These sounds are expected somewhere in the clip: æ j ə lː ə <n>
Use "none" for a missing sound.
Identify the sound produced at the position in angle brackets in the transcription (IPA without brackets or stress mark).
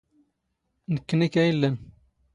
n